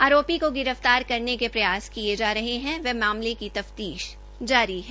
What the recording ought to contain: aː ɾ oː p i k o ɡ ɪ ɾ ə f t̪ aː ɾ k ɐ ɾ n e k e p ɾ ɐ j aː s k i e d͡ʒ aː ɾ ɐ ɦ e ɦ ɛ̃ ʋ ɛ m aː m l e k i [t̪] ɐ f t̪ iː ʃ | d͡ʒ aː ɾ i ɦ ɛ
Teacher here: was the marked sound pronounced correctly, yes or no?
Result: yes